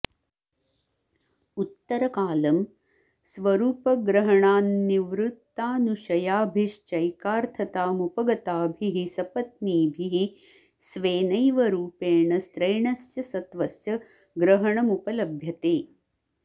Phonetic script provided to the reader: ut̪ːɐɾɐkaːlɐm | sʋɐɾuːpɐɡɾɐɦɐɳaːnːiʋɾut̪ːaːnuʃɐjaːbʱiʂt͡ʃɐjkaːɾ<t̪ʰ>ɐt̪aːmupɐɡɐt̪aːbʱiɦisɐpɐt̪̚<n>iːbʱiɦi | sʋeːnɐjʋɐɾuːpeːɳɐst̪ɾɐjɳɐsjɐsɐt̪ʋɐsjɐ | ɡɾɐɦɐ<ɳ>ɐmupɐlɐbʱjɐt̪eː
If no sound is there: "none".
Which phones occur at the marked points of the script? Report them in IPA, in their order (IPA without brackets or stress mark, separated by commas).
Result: t̪ʰ, n, ɳ